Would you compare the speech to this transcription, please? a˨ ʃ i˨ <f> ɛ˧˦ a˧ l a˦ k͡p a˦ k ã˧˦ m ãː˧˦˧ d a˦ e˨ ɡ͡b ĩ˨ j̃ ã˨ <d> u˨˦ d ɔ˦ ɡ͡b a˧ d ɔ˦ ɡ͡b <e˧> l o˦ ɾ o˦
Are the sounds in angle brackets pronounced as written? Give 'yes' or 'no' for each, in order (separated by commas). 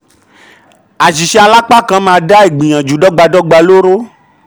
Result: no, no, no